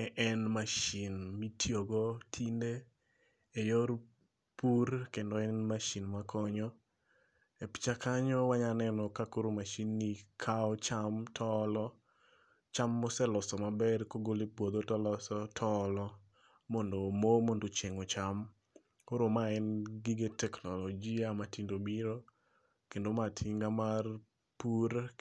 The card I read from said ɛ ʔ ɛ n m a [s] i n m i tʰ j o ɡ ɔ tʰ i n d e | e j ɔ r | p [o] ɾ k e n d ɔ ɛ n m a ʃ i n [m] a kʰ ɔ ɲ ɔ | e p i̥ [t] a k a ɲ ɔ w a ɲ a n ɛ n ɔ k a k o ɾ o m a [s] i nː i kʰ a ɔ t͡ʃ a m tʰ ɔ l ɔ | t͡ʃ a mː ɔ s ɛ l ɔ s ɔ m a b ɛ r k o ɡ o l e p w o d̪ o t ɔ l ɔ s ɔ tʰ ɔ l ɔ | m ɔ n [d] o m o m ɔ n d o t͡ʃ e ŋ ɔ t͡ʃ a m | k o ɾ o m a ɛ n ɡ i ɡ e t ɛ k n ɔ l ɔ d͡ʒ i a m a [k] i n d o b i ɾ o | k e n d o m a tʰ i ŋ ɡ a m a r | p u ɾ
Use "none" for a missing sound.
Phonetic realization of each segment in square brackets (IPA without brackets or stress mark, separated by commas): ʃ, u, m, t͡ʃ, ʃ, d, t